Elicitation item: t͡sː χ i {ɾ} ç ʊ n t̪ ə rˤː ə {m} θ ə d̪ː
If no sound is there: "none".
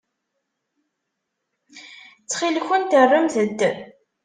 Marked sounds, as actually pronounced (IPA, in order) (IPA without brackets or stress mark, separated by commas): l, m